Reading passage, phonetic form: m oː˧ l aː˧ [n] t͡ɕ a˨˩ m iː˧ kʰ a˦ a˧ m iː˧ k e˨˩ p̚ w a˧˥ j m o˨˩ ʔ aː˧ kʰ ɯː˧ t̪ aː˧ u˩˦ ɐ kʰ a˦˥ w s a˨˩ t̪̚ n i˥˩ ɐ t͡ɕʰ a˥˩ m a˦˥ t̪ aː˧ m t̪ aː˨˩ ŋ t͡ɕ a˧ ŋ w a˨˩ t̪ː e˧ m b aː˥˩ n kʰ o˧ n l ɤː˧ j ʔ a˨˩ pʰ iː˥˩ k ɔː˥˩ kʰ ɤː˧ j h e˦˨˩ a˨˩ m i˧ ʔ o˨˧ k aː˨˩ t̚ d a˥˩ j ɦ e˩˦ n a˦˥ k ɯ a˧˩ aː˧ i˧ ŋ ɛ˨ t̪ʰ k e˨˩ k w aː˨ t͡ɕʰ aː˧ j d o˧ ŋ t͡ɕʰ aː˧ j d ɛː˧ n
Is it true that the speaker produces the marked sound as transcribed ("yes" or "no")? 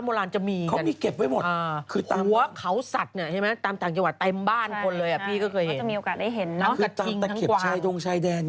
yes